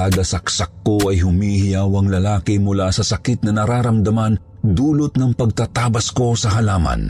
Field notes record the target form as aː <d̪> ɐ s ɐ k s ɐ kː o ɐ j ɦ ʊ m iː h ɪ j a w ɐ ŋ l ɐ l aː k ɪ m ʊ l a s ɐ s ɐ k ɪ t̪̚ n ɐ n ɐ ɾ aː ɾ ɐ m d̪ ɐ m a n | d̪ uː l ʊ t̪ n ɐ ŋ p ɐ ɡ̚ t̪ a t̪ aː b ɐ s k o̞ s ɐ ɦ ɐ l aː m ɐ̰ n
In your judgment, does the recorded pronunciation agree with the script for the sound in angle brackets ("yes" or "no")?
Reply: yes